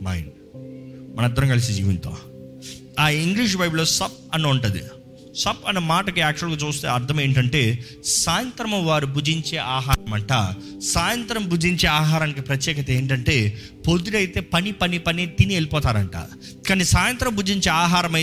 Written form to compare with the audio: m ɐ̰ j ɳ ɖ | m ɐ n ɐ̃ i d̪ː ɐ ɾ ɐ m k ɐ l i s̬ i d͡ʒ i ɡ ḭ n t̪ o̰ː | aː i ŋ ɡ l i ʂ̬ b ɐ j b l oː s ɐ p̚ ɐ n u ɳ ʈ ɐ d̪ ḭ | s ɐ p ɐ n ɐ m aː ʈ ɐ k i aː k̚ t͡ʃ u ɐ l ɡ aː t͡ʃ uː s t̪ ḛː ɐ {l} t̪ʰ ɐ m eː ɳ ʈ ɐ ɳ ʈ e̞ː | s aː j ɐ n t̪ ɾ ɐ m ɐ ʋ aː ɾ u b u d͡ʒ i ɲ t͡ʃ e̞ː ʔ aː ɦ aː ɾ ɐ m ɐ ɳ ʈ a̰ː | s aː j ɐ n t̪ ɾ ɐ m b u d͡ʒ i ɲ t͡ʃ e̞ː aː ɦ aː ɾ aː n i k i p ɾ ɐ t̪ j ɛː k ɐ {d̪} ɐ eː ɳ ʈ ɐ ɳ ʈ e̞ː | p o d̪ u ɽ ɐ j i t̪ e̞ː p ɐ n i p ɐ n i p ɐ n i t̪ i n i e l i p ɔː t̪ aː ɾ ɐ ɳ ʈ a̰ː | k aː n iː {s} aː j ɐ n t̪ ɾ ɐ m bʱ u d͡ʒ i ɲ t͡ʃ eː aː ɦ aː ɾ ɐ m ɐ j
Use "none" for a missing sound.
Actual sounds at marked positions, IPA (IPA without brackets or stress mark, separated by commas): ɾ, t̪, s